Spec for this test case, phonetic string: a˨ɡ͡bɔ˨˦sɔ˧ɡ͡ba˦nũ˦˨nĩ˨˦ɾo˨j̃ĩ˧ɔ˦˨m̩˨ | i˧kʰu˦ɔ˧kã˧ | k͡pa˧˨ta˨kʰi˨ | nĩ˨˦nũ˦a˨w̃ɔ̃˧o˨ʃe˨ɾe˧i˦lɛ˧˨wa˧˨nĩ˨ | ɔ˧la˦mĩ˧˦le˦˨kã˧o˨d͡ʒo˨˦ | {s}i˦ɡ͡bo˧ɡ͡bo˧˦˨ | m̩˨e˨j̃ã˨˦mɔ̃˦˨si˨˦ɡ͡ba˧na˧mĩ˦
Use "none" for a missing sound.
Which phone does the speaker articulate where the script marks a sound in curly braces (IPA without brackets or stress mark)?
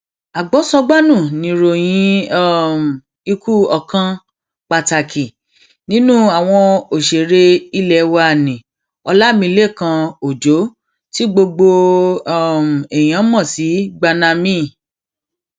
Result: t